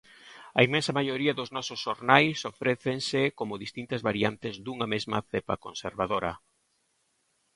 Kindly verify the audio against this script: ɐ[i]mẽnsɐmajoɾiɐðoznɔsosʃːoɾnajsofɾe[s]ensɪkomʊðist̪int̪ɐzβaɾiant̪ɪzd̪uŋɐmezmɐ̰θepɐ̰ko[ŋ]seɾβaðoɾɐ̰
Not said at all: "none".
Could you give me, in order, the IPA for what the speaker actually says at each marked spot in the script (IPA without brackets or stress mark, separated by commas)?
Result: i, θ, n